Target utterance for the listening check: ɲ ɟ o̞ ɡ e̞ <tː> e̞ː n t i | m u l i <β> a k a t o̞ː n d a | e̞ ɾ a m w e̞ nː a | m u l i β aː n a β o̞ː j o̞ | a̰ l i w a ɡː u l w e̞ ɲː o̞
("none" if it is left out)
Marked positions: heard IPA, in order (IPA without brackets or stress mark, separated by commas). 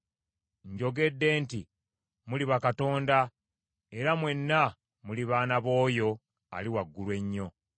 dː, β